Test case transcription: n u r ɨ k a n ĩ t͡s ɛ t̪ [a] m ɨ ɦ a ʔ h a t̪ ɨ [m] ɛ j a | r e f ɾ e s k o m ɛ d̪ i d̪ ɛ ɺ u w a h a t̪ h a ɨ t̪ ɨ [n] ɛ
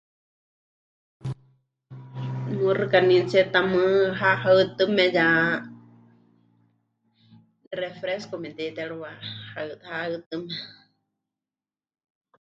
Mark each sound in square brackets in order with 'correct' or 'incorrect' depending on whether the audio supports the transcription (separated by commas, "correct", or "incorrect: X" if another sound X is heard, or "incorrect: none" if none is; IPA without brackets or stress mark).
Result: correct, correct, incorrect: m